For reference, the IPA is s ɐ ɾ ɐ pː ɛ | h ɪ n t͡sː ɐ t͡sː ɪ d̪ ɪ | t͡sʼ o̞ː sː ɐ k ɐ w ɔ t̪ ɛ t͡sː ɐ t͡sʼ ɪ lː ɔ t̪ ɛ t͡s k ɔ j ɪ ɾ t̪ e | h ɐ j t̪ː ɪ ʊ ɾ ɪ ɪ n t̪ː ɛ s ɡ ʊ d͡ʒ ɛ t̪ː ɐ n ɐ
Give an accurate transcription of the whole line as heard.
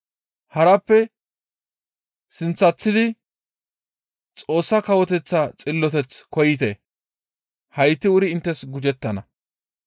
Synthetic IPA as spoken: h ɐ ɾ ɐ pː ɛ | s ɪ n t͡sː ɐ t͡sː ɪ d̪ ɪ | t͡sʼ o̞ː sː ɐ k ɐ w ɔ t̪ ɛ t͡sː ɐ t͡sʼ ɪ lː ɔ t̪ ɛ t͡s k ɔ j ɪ t̪ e | h ɐ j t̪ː ɪ ʊ ɾ ɪ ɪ n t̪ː ɛ s ɡ ʊ d͡ʒ ɛ t̪ː ɐ n ɐ